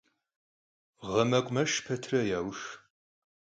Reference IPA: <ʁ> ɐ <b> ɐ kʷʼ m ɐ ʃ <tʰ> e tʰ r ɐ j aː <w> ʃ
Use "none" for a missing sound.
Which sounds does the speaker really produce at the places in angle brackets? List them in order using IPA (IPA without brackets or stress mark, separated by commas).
ʁ, m, pʰ, w